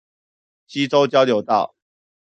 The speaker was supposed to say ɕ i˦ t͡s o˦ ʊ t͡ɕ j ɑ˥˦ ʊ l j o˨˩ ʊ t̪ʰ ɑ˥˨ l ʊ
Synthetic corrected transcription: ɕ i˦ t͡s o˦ ʊ t͡ɕ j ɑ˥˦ ʊ l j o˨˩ ʊ t̪ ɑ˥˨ ʊ